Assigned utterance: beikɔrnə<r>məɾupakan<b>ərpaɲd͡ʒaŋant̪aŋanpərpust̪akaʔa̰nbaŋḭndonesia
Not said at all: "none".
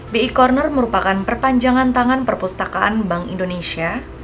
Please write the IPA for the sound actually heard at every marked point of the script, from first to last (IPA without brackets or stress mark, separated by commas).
r, p